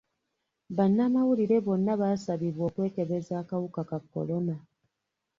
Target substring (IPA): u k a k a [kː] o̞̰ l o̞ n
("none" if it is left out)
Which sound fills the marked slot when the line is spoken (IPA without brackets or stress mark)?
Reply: kː